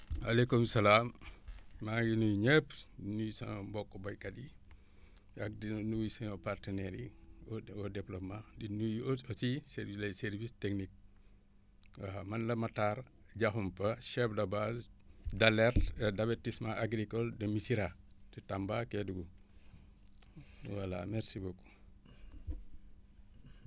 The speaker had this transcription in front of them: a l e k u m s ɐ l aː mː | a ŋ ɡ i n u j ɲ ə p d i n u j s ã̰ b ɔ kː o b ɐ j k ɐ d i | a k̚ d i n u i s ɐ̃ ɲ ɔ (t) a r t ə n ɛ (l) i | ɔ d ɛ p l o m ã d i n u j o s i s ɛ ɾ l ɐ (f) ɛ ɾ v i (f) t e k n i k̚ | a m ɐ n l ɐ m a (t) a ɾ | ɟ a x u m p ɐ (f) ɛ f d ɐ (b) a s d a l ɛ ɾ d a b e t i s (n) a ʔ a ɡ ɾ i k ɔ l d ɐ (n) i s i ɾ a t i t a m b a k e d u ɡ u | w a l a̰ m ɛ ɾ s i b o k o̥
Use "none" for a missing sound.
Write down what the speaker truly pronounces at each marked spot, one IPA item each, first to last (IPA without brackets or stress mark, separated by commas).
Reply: p, ɾ, s, s, t, ʃ, b, m, m